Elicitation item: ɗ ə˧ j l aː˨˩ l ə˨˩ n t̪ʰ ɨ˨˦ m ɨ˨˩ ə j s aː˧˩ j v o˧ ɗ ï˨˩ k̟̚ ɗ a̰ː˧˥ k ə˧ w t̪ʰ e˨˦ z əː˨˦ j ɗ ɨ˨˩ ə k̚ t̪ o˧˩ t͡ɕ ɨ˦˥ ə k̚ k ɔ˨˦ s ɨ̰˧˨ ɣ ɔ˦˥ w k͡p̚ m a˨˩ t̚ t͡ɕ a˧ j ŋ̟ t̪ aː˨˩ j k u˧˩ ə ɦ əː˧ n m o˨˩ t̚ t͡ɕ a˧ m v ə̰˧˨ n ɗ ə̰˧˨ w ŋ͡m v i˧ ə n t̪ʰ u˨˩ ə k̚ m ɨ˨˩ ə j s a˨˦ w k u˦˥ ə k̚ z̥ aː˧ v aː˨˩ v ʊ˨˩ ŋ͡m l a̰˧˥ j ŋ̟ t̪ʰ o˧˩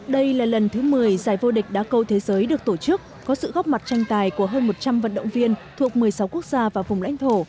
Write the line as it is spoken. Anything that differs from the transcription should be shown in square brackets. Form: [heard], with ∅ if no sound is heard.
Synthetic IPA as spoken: ɗ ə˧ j l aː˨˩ l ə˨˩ n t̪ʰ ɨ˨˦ m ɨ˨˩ ə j [z] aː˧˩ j v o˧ ɗ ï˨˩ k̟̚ ɗ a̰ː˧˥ k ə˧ w t̪ʰ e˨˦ z əː˨˦ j ɗ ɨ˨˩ ə k̚ t̪ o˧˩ t͡ɕ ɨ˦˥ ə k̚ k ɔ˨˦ s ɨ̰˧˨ ɣ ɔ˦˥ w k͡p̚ m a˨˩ t̚ t͡ɕ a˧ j ŋ̟ t̪ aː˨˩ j k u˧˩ ə ɦ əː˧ n m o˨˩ t̚ t͡ɕ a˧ m v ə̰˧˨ n ɗ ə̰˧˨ w ŋ͡m v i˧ ə n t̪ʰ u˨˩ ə k̚ m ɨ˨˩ ə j s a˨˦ w k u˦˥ ə k̚ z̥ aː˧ v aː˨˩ v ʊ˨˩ ŋ͡m l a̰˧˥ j ŋ̟ t̪ʰ o˧˩

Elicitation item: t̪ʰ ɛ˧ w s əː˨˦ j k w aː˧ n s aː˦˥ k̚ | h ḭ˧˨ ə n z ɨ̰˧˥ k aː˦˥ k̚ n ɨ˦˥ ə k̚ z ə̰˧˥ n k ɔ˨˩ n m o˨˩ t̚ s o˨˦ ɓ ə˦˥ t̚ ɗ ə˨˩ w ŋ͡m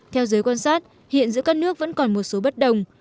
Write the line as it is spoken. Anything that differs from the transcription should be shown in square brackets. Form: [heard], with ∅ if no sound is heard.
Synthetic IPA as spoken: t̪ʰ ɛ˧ w [z] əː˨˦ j k w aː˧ n s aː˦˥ [t̚] | h ḭ˧˨ ə n z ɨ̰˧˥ k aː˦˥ k̚ n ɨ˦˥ ə k̚ [v] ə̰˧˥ n k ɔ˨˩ n m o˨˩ t̚ s o˨˦ ɓ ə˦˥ t̚ ɗ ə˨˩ w ŋ͡m

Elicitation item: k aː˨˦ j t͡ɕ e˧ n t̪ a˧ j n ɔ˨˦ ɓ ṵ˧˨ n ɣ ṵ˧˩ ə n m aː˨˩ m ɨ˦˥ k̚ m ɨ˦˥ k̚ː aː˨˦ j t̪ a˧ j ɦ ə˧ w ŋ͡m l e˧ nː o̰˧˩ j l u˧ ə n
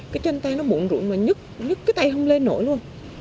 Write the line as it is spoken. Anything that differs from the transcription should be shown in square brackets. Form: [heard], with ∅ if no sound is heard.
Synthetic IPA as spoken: k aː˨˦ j t͡ɕ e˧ n t̪ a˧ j n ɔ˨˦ ɓ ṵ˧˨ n [z] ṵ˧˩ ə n m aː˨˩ [ɲ] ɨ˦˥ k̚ [ɲ] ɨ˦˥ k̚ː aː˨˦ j t̪ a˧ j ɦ ə˧ w ŋ͡m l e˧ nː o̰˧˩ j l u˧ ə n

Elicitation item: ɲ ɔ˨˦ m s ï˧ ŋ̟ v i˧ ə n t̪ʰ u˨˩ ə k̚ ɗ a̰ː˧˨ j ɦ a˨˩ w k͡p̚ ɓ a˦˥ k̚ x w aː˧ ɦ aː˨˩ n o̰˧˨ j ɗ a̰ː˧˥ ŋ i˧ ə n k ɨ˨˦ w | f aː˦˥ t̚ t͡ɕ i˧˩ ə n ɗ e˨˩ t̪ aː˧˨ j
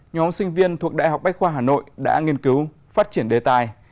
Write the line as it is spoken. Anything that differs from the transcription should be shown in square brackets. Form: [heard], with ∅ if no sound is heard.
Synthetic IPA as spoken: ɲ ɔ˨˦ m s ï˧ ŋ̟ v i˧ ə n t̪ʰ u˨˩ ə k̚ ɗ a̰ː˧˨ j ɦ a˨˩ w k͡p̚ ɓ a˦˥ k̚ x w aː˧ ɦ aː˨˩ n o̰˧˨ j ɗ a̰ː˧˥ ŋ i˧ ə n k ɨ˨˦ w | f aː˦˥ t̚ t͡ɕ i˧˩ ə n ɗ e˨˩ t̪ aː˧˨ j

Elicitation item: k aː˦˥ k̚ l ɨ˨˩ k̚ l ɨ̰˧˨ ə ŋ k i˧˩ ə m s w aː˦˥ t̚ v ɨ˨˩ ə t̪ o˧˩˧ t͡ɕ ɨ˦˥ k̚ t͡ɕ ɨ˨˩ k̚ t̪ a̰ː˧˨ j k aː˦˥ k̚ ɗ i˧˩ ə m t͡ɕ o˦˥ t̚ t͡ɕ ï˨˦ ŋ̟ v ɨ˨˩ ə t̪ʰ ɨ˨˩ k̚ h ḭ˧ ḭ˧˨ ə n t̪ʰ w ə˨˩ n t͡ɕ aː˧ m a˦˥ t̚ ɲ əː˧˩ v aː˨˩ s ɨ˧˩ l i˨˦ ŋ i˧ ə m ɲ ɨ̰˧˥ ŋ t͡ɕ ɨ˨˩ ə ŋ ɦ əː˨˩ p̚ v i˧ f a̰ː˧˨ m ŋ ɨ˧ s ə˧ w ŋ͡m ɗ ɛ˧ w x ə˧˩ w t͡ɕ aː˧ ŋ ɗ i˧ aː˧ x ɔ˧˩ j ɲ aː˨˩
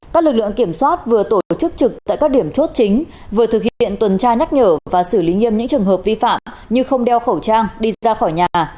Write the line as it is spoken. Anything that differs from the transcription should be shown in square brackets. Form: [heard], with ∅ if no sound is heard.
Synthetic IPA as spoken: k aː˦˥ k̚ l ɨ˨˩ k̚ l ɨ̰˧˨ ə ŋ k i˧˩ ə m s w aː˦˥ t̚ v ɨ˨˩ ə t̪ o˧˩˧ t͡ɕ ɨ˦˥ k̚ t͡ɕ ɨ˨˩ k̚ t̪ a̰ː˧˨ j k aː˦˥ k̚ ɗ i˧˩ ə m t͡ɕ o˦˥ t̚ t͡ɕ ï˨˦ ŋ̟ v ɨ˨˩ ə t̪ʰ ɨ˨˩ k̚ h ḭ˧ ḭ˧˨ ə n [t̪] w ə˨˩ n t͡ɕ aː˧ [ɲ] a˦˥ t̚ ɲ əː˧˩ v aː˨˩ s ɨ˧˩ l i˨˦ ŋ i˧ ə m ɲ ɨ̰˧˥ ŋ t͡ɕ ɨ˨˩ ə ŋ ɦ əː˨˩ p̚ v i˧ f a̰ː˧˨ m [ɲ] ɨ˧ [x] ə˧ w ŋ͡m ɗ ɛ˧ w x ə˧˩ w t͡ɕ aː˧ ŋ ɗ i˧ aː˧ x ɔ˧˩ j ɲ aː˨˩

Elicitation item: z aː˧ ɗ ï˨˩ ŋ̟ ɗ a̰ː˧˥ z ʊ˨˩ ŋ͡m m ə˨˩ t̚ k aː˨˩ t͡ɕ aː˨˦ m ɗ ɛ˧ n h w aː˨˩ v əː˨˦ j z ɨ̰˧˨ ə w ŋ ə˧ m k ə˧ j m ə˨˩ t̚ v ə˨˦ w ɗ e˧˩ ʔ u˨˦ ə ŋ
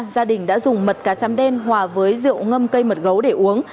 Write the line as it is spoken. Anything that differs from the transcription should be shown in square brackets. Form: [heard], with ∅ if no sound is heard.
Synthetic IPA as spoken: z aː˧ ɗ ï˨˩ ŋ̟ ɗ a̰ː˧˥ z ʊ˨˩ ŋ͡m m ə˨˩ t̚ k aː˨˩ t͡ɕ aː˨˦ m ɗ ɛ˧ n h w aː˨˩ v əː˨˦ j z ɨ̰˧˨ ə w ŋ ə˧ m k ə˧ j m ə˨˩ t̚ [ɣ] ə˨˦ w ɗ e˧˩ ʔ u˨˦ ə ŋ

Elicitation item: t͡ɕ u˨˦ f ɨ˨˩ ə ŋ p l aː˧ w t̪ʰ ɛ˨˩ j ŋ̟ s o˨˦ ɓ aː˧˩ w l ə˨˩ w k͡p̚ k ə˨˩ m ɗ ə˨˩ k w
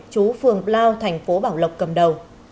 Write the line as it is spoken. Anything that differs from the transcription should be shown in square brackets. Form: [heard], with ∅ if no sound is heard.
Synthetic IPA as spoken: t͡ɕ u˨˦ f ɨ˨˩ ə ŋ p l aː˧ w t̪ʰ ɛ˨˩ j ŋ̟ [f] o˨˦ ɓ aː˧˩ w l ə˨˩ w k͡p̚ k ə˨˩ m ɗ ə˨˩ [∅] w

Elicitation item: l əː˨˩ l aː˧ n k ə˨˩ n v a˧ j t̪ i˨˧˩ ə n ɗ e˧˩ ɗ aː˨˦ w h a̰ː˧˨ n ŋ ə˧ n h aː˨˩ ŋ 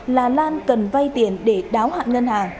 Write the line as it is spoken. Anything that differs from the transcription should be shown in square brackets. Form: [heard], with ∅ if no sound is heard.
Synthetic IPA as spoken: l [aː˨˩] l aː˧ n k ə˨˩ n v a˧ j t̪ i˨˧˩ ə n ɗ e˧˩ ɗ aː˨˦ w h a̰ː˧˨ n ŋ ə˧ n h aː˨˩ ŋ

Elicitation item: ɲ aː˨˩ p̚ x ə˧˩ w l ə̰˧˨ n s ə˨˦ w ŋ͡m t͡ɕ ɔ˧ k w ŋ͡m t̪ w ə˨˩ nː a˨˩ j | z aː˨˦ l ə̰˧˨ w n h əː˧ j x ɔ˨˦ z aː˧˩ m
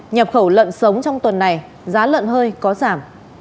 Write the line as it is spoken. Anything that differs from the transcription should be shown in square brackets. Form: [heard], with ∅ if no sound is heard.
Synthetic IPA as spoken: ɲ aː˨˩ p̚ x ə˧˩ w l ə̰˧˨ n s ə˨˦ w ŋ͡m t͡ɕ ɔ˧ [∅] w ŋ͡m t̪ w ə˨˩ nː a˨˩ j | z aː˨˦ l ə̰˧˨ [∅] n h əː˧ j [k] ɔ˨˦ z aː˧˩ m

